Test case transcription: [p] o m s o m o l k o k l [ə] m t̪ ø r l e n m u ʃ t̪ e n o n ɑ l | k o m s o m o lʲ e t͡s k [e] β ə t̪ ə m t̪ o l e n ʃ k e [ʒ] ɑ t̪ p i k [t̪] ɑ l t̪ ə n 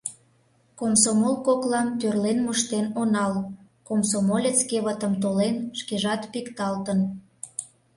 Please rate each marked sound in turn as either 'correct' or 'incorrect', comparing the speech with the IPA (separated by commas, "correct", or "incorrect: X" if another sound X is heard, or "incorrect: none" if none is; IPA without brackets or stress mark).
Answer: incorrect: k, incorrect: ɑ, correct, correct, correct